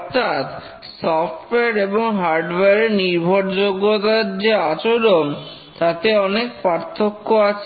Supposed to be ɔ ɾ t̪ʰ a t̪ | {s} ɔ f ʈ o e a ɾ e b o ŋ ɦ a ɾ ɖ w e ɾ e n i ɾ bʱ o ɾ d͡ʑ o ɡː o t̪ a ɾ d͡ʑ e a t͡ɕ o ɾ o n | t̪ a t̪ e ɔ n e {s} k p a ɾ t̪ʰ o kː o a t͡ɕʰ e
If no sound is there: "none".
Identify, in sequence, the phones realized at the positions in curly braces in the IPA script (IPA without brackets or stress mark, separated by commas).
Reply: s, none